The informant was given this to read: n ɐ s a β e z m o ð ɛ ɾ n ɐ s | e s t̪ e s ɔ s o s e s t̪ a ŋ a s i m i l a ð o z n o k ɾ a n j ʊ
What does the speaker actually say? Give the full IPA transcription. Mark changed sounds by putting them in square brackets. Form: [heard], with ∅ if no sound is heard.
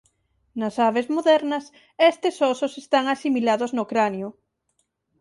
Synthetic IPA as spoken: n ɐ s a β e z m o ð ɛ ɾ n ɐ s | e s t̪ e s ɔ s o s e s t̪ a ŋ a s i m i l a ð o z n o k ɾ a n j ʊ